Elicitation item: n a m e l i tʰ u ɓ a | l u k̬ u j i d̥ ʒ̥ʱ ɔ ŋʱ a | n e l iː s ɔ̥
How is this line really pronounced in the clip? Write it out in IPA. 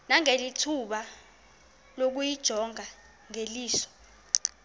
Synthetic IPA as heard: n a ŋ e l i tʰ u ɓ a | l o k̬ u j i d̥ ʒ̥ʱ ɔ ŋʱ a | ŋ e l iː s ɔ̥